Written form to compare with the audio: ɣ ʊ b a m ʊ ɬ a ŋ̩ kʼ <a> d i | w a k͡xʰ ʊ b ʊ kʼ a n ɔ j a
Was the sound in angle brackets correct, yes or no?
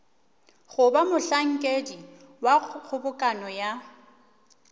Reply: no